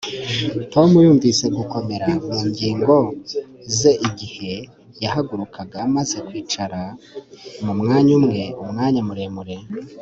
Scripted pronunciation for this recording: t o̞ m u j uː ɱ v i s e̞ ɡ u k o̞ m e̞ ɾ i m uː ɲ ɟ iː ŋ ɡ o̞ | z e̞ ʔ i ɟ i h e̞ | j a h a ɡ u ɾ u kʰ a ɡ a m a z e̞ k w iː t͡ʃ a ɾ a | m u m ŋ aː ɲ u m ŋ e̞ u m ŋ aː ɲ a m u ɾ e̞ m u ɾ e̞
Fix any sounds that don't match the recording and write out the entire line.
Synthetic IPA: t o̞ m u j uː ɱ v i s e̞ ɡ u k o̞ m e̞ ɾ a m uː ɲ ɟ iː ŋ ɡ o̞ | z e̞ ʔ i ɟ i h e̞ | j a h a ɡ u ɾ u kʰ a ɡ a m a z e̞ k w iː t͡ʃ a ɾ a | m u m ŋ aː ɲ u m ŋ e̞ u m ŋ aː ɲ a m u ɾ e̞ m u ɾ e̞